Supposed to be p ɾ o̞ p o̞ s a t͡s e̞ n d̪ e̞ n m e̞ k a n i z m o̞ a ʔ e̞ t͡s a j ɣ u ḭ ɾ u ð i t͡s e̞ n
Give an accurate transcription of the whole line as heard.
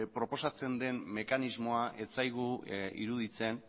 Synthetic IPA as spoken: p ɾ o̞ p o̞ s a t͡s e̞ n d̪ e̞ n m e̞ k a n i z m o̞ a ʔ e̞ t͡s a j ɣ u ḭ ɾ u ð i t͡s e̞ n